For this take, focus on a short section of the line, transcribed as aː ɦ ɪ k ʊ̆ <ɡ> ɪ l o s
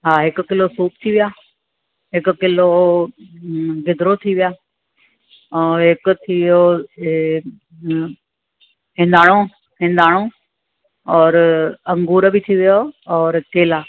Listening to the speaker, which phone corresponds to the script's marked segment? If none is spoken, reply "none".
k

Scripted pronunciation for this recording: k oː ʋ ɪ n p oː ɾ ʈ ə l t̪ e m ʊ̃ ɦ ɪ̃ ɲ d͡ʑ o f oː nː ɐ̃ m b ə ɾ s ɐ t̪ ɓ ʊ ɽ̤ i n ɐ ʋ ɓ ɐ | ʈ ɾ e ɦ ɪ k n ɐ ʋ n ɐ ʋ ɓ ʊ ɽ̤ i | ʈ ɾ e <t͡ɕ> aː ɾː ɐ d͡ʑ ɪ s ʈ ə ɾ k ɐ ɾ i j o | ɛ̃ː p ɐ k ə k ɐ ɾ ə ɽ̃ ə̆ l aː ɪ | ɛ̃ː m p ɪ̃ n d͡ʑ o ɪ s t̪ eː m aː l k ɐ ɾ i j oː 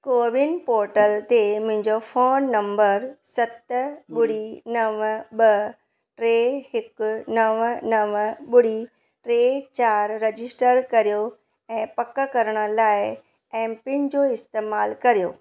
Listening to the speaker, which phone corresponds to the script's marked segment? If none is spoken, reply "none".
t͡ɕ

